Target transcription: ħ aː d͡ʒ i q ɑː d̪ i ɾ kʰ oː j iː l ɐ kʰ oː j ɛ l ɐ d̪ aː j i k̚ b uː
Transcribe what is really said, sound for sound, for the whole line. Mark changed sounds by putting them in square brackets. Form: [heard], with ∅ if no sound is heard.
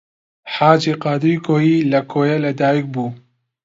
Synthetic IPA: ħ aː d͡ʒ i q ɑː d̪ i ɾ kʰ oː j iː l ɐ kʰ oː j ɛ l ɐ d̪ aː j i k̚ b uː